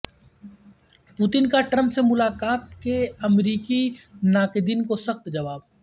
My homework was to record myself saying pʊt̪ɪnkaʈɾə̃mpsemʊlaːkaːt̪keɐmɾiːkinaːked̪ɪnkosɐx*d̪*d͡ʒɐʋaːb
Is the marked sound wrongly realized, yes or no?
yes